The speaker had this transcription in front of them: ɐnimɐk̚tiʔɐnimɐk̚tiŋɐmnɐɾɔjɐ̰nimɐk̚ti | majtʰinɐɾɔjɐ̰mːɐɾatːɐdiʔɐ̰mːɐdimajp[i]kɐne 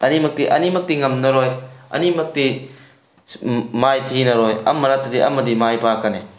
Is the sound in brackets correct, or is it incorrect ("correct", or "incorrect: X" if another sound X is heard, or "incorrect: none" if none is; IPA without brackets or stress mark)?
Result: incorrect: a